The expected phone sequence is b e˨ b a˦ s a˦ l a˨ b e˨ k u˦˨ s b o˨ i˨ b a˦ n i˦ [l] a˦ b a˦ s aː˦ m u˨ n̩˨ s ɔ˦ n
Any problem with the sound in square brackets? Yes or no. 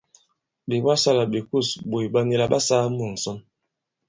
no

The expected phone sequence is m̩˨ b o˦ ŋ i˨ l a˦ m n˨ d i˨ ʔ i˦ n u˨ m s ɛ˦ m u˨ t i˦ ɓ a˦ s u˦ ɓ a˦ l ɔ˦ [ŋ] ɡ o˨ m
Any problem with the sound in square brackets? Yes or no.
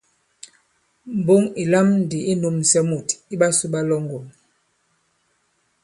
no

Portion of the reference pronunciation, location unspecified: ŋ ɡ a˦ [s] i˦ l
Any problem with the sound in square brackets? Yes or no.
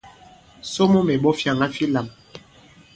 yes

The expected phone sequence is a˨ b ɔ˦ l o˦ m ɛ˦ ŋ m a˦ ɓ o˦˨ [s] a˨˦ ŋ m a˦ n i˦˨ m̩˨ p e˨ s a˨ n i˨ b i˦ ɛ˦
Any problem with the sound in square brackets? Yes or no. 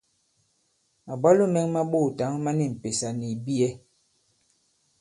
yes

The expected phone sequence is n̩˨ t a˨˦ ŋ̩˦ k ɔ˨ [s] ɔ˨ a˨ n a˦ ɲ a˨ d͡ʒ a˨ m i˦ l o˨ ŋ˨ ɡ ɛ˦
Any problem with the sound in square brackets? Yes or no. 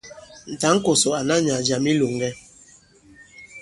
no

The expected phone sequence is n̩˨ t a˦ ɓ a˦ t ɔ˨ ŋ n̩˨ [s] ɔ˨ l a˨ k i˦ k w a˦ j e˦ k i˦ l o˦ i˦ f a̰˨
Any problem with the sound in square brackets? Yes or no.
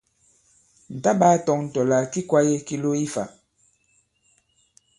yes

